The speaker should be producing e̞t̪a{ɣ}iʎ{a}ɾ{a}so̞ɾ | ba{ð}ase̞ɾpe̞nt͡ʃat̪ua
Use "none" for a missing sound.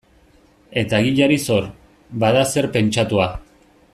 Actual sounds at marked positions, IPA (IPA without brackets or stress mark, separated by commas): ɣ, a, i, ð